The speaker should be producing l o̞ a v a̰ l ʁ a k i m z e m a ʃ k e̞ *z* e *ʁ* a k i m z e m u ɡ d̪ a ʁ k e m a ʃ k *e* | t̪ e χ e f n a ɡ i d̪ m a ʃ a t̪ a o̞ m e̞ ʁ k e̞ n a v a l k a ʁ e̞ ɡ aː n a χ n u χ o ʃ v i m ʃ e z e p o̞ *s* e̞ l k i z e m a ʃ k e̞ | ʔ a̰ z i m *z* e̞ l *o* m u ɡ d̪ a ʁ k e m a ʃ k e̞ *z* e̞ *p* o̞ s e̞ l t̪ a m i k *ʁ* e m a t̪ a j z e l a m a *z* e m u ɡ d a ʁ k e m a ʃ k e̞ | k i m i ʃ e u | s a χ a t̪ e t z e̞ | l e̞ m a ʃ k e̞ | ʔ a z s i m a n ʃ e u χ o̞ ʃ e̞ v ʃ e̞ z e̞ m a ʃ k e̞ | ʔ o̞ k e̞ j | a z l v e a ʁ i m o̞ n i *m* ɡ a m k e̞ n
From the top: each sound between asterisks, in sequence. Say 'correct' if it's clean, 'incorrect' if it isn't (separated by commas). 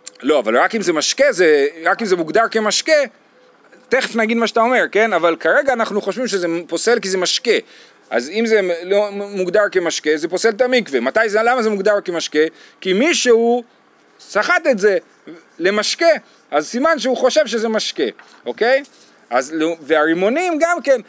correct, correct, correct, correct, correct, correct, correct, correct, incorrect, correct, correct